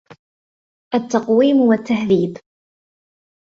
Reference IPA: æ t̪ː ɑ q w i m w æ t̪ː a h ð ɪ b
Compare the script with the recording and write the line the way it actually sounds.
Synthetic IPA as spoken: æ t̪ː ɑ q w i m w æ t̪ː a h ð i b